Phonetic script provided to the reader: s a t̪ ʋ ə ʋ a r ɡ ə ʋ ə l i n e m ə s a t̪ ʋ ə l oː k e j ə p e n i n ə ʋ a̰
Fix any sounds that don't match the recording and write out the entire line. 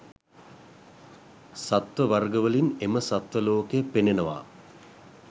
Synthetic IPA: s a t̪ ʋ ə ʋ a r ɡ ə ʋ ə l i n e m ə s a t̪ ʋ ə l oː k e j ə p e n e n ə ʋ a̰